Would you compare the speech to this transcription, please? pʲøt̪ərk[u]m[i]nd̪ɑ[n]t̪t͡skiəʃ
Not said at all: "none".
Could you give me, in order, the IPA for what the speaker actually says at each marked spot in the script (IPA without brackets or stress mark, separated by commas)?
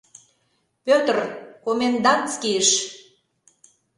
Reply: o, e, n